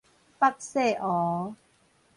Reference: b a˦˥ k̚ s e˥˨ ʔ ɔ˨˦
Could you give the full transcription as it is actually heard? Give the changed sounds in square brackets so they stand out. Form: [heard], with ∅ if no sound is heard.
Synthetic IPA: [p] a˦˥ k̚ s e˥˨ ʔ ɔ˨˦